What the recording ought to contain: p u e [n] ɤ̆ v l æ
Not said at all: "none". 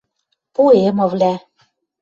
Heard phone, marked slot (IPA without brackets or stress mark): m